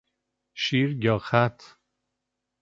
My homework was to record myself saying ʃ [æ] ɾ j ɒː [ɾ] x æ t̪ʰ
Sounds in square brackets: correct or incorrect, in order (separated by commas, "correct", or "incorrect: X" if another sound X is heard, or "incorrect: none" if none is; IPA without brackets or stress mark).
incorrect: i, incorrect: none